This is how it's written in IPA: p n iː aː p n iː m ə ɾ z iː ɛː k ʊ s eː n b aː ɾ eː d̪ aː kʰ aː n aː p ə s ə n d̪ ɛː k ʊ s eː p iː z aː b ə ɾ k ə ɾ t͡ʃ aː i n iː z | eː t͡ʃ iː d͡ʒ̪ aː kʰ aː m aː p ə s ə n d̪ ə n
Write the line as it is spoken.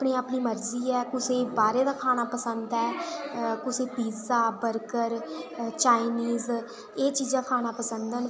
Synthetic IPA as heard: p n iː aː p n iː m ə ɾ z iː ɛː k ʊ s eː b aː ɾ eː d̪ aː kʰ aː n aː p ə s ə n d̪ ɛː k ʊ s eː p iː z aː b ə ɾ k ə ɾ t͡ʃ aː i n iː z | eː t͡ʃ iː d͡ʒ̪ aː kʰ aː n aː p ə s ə n d̪ ə n